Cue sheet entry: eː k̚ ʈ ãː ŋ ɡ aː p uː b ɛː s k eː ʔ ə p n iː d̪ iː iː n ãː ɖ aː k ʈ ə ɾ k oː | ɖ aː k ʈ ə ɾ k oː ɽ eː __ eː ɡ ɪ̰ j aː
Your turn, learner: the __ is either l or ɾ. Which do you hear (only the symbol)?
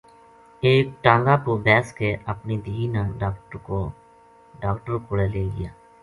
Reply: l